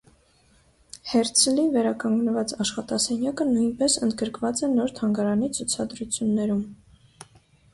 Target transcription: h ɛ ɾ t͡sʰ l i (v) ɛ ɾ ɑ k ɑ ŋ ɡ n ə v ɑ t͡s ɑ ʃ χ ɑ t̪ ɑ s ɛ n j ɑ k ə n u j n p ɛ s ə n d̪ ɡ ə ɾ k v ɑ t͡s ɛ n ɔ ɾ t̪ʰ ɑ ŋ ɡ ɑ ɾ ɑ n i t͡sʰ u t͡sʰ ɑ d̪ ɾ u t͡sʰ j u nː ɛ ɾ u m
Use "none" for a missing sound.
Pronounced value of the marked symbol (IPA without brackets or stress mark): v